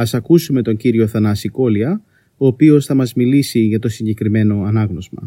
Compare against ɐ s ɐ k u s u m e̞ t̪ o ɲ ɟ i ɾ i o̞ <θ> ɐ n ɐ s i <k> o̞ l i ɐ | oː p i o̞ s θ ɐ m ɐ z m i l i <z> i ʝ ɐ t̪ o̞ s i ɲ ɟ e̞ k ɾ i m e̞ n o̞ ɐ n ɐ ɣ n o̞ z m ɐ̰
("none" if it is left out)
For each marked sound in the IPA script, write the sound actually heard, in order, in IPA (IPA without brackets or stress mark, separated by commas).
θ, k, s